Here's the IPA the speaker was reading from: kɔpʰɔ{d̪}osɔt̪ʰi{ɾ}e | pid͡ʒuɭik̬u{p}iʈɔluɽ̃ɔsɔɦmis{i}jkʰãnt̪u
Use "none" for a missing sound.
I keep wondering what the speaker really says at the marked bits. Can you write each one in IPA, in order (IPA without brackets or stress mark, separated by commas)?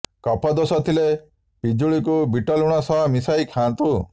d̪, l, b, a